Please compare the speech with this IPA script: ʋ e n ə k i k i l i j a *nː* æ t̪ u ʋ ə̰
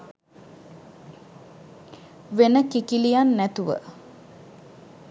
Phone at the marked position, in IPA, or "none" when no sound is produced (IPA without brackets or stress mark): nː